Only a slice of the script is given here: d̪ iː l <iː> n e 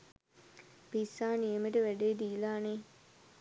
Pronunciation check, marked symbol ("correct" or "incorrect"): incorrect